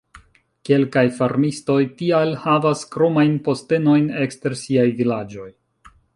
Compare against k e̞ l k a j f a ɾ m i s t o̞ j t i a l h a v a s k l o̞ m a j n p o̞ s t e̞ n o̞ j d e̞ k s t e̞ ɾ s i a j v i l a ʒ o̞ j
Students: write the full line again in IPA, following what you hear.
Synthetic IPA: k e̞ l k a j f a ɾ m i s t o̞ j t i a l h a v a s k ɾ o̞ m a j n p o̞ s t e̞ n o̞ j n e̞ k s t e̞ ɾ s i a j v i l a d͡ʒ o̞ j